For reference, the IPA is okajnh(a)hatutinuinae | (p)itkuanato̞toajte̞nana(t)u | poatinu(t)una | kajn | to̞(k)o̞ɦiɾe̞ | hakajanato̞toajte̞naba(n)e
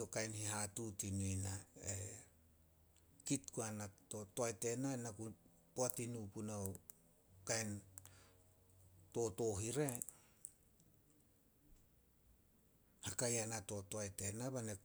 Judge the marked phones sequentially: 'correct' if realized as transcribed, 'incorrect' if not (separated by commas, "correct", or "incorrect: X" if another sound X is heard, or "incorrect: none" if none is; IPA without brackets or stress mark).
incorrect: i, incorrect: k, incorrect: k, incorrect: p, incorrect: t, correct